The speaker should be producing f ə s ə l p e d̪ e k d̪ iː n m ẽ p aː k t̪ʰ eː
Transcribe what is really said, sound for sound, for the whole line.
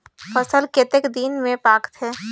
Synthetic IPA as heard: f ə s ə l k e t̪ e k d̪ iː n m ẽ p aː k t̪ʰ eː